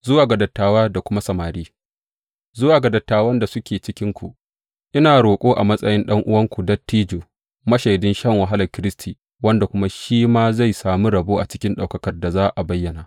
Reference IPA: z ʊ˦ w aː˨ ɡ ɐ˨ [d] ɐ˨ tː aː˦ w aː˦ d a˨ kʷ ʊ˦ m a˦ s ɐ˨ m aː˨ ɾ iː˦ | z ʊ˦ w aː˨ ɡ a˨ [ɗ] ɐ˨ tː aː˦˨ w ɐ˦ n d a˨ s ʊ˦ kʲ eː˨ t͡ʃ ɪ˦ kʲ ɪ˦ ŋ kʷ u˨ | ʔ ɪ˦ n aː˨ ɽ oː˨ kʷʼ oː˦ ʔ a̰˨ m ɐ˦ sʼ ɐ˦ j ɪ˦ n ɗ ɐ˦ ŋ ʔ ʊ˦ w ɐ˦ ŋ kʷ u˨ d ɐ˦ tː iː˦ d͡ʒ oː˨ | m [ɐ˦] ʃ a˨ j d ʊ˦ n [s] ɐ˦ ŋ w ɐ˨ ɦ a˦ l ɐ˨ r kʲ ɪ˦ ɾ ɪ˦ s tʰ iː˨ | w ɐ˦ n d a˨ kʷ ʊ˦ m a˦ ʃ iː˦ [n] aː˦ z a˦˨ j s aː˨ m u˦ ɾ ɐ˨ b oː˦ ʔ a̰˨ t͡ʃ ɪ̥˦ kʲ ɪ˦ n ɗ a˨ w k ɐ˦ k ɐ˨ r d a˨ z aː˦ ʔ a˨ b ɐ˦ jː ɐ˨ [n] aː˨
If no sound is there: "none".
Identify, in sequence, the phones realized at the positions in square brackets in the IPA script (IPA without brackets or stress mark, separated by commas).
d, d, ɐ˦, ʃ, m, n